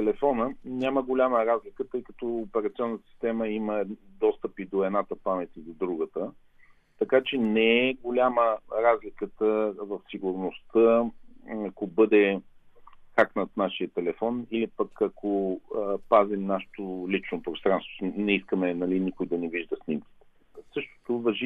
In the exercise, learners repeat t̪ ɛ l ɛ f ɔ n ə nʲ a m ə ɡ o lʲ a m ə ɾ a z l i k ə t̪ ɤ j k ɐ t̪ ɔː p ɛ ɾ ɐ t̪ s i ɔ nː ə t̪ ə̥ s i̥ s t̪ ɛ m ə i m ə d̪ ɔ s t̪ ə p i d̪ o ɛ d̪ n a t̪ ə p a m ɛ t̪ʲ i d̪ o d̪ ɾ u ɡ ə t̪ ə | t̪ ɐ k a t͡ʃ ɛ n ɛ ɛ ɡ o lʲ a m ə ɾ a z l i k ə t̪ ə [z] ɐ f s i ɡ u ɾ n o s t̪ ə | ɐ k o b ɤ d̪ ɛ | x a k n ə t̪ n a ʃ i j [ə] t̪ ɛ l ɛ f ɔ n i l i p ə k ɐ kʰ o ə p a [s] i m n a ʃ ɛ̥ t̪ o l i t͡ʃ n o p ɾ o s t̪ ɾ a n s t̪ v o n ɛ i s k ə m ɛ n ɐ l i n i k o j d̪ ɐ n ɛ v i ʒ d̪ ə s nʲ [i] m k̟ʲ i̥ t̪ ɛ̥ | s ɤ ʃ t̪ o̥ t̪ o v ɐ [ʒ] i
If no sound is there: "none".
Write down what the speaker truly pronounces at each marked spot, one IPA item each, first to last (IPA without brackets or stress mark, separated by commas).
v, ə, z, i, ʒ